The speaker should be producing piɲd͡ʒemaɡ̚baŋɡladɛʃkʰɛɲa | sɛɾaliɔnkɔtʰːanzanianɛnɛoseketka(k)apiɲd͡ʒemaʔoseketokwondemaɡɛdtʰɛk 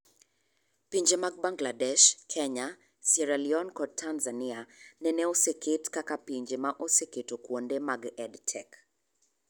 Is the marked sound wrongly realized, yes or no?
no